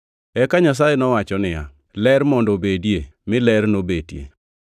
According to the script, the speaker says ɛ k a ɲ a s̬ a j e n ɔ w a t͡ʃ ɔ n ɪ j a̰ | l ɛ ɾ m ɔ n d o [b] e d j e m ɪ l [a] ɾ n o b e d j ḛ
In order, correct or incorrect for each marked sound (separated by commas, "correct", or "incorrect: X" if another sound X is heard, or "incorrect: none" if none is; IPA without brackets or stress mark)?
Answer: correct, incorrect: ɛ